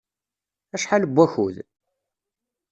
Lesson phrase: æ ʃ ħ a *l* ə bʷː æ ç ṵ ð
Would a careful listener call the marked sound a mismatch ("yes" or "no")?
no